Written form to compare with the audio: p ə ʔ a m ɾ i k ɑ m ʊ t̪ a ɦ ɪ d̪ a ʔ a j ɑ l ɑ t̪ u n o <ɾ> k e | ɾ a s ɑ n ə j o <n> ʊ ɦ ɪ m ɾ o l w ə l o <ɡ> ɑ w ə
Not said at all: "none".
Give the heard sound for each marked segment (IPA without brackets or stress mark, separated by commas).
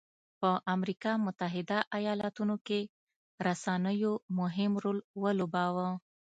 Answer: none, m, b